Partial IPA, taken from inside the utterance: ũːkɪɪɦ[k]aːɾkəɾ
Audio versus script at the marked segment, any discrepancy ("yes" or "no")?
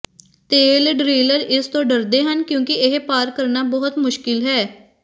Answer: yes